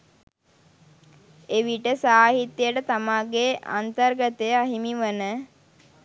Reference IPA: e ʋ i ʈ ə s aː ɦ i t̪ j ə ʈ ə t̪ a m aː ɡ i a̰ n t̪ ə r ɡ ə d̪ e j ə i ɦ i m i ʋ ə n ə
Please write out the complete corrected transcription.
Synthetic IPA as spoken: e ʋ i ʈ ə s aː ɦ i t̪ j ə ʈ ə t̪ a m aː ɡ e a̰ n t̪ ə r ɡ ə t̪ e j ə a ɦ i m i ʋ ə n ə